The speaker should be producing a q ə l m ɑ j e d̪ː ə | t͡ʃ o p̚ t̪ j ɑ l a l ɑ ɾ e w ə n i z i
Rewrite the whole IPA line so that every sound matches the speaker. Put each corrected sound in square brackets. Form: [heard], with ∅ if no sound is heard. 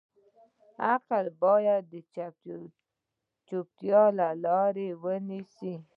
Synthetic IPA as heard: a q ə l [b] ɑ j [a] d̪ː ə | t͡ʃ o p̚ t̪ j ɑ l a l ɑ ɾ e w ə n i [s] i